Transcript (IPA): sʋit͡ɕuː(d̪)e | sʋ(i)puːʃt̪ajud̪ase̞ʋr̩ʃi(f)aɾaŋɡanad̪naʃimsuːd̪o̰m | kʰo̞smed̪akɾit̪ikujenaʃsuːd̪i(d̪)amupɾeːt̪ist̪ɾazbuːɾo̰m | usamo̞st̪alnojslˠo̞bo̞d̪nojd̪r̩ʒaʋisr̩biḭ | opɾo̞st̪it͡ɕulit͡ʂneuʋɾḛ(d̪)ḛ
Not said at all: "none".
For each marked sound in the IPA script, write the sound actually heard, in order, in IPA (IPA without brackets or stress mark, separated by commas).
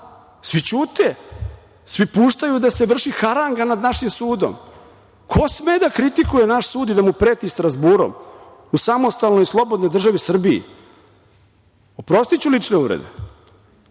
t̪, i, x, d̪, d̪